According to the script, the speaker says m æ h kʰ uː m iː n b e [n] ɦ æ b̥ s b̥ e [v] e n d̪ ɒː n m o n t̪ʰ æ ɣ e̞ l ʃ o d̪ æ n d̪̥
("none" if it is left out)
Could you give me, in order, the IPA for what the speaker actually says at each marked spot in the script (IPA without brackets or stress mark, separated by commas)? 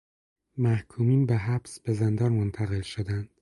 none, z